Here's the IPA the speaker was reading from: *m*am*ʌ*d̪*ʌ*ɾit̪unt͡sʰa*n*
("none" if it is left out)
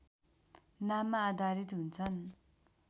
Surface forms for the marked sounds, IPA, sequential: n, a, a, n

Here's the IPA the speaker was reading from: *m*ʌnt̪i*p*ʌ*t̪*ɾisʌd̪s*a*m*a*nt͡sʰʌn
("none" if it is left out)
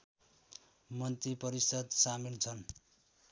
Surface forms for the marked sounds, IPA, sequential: m, p, none, a, i

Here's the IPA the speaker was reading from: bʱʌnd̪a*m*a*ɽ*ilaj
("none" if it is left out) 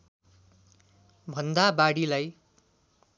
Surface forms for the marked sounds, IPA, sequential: b, ɽ

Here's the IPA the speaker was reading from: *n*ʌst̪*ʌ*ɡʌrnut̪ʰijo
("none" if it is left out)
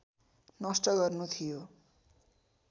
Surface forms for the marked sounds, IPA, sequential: n, ʌ

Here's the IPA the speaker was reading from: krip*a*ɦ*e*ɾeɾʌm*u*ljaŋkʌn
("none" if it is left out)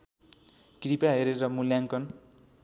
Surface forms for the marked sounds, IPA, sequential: a, e, u

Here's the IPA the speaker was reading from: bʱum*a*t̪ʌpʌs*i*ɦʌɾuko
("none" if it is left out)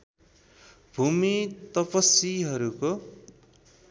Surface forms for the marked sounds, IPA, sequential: i, i

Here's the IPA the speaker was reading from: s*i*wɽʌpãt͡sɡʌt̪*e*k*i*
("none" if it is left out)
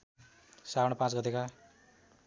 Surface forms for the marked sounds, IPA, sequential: a, e, a

